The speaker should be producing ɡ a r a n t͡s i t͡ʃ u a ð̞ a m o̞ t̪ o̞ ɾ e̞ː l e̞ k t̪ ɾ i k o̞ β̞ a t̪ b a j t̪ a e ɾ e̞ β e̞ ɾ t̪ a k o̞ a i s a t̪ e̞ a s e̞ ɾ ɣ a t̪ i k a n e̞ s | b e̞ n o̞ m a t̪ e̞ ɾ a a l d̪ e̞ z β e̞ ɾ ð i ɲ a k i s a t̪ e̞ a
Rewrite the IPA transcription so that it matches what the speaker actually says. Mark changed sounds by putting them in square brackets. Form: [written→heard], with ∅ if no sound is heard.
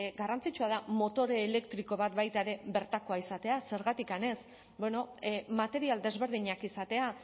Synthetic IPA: ɡ a r a n t͡s i t͡ʃ u a ð̞ a m o̞ t̪ o̞ ɾ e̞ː l e̞ k t̪ ɾ i k o̞ β̞ a t̪ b a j t̪ a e ɾ e̞ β e̞ ɾ t̪ a k o̞ a i s a t̪ e̞ a s e̞ ɾ ɣ a t̪ i k a n e̞ s | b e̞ n o̞ m a t̪ e̞ ɾ [a→i] a l d̪ e̞ z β e̞ ɾ ð i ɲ a k i s a t̪ e̞ a

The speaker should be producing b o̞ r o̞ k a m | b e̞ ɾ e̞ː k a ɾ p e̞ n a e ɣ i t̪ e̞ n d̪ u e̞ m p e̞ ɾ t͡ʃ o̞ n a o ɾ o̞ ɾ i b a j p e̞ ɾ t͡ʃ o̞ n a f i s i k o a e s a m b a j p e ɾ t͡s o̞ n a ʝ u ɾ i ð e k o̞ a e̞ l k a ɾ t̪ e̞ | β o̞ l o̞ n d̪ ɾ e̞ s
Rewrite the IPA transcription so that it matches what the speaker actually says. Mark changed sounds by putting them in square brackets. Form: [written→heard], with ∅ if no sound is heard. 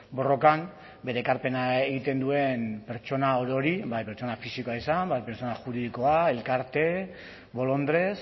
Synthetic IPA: b o̞ r o̞ k a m | b e̞ ɾ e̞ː k a ɾ p e̞ n a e ɣ i t̪ e̞ n d̪ u e̞ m p e̞ ɾ t͡ʃ o̞ n a o ɾ o̞ ɾ i b a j p e̞ ɾ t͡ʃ o̞ n a f i s i k o a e s a m b a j p e ɾ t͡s o̞ n a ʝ u ɾ i ð [e→i] k o̞ a e̞ l k a ɾ t̪ e̞ | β o̞ l o̞ n d̪ ɾ e̞ s

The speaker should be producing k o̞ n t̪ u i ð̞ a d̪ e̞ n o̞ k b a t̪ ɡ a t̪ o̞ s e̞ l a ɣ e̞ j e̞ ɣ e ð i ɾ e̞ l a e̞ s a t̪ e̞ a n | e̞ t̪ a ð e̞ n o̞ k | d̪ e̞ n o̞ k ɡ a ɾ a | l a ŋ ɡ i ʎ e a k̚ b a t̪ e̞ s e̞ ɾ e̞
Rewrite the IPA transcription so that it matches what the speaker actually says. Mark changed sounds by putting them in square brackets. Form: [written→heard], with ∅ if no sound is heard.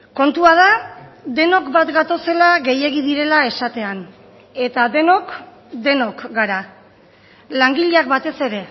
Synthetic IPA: k o̞ n t̪ u [i→a] ð̞ a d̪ e̞ n o̞ k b a t̪ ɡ a t̪ o̞ s e̞ l a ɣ e̞ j e̞ ɣ [e→i] ð i ɾ e̞ l a e̞ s a t̪ e̞ a n | e̞ t̪ a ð e̞ n o̞ k | d̪ e̞ n o̞ k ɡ a ɾ a | l a ŋ ɡ i ʎ e a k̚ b a t̪ e̞ s e̞ ɾ e̞

